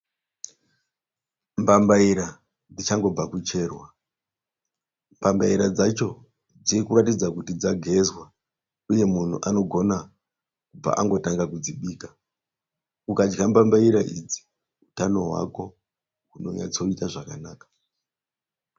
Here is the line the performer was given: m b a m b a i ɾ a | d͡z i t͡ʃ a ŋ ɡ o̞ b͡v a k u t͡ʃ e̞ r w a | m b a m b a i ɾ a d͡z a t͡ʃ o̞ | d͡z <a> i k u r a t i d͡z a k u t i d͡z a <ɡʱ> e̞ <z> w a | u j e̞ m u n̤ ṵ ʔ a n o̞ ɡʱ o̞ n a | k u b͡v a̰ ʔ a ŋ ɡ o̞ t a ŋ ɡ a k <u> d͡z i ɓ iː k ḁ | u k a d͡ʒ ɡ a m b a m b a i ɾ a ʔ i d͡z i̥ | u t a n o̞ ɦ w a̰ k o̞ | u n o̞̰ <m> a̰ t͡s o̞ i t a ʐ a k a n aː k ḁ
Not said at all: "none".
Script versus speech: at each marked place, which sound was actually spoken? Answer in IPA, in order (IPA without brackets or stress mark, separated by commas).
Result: i, ɡʱ, z, u, ɲ